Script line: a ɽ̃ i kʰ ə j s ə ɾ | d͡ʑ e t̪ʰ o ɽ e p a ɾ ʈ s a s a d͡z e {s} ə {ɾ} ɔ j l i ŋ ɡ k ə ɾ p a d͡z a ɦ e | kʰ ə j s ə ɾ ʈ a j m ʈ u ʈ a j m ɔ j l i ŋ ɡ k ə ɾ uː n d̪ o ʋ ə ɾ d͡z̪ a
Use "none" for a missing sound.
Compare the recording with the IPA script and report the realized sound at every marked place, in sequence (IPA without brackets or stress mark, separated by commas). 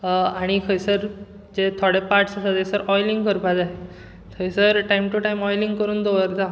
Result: s, ɾ